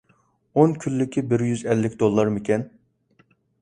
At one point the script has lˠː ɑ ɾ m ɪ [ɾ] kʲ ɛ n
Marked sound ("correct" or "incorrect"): incorrect